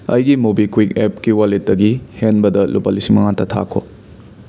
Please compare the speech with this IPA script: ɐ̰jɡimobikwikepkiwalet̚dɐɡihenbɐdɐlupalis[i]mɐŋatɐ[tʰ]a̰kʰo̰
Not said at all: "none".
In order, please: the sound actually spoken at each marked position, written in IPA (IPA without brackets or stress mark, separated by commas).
i, tʰ